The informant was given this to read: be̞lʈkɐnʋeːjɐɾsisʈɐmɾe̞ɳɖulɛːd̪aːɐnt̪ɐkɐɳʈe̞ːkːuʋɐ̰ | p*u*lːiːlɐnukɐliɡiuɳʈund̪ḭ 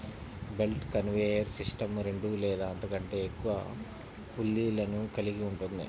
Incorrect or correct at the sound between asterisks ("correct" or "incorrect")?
correct